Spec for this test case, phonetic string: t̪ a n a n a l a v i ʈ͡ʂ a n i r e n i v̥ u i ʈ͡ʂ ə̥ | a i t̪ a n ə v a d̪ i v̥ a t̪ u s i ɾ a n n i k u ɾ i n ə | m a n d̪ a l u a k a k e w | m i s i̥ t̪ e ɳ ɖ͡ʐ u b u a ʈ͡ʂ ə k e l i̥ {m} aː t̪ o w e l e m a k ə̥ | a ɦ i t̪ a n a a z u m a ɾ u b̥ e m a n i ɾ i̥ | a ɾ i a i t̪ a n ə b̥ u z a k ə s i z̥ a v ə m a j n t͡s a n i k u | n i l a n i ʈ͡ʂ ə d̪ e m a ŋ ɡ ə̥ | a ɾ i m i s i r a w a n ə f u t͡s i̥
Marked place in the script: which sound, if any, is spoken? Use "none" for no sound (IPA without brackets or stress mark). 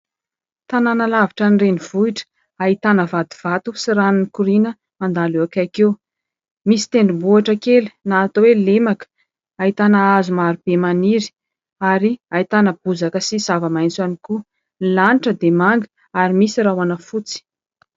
n